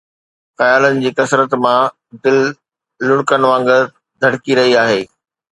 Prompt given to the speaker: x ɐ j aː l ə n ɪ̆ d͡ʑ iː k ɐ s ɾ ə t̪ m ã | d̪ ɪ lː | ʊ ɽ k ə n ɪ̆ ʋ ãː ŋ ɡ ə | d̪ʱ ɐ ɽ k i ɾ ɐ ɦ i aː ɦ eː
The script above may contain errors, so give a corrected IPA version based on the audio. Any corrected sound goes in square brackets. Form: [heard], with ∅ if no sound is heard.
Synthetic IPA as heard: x ɐ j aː l ə n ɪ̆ d͡ʑ iː k ɐ s ɾ ə t̪ m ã | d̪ ɪ lː | ʊ ɽ k ə n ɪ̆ ʋ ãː ŋ ɡ ə | d̪ʱ ɐ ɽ k i ɾ ɐ ɦ i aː ɦ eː